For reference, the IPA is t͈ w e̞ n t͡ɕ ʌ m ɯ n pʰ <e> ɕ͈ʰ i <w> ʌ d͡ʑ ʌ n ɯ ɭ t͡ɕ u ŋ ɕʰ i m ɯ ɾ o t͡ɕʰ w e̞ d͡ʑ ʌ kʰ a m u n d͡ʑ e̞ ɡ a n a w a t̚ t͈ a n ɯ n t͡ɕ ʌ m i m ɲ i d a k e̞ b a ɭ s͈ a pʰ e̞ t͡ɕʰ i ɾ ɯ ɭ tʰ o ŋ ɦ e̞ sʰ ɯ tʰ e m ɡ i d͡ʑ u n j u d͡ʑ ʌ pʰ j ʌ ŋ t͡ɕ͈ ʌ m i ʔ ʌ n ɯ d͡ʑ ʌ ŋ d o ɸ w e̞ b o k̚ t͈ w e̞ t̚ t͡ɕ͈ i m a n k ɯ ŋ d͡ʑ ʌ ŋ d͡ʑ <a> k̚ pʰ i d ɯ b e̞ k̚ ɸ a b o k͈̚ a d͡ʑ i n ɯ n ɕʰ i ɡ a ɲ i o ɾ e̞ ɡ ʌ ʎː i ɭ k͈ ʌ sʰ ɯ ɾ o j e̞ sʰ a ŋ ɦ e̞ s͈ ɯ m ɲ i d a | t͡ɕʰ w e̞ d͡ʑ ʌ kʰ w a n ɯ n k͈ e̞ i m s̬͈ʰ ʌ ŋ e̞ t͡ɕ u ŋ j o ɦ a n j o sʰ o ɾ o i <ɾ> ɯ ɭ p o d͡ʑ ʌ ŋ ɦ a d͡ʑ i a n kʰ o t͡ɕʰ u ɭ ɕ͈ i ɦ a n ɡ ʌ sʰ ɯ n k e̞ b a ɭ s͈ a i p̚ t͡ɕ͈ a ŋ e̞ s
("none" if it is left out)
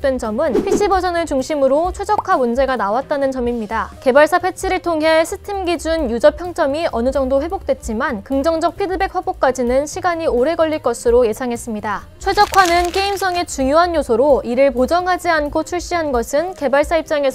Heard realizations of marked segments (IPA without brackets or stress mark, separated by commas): i, b, ʌ, ɾ